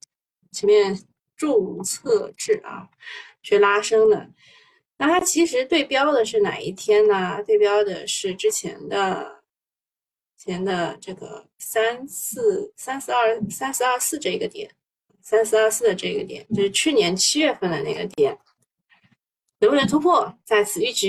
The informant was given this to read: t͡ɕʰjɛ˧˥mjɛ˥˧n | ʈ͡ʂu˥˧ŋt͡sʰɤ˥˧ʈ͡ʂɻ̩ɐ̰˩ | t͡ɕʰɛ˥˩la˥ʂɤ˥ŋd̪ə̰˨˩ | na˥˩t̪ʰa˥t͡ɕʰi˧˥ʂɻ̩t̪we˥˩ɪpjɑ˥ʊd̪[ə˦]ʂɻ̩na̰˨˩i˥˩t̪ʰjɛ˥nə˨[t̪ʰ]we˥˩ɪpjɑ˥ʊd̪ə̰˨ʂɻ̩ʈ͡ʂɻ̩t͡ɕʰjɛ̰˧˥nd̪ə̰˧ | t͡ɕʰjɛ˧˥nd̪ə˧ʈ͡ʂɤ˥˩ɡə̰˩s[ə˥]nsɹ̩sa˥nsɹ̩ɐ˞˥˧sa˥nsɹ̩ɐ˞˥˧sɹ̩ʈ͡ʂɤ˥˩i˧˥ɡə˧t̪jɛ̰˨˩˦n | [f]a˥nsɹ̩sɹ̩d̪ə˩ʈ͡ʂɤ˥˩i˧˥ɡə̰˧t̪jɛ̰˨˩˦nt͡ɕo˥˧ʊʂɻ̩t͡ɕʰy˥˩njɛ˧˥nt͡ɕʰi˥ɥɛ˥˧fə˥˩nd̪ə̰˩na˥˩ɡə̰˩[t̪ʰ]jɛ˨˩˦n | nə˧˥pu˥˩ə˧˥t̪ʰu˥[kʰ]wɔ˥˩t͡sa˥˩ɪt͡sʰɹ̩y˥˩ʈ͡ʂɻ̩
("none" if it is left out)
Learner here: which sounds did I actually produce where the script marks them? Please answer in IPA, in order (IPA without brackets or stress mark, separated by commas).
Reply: ə˨, t̪, a˥, s, t̪, pʰ